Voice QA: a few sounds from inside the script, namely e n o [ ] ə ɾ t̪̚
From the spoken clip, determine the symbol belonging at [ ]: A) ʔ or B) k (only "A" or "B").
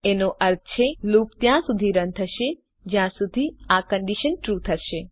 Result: A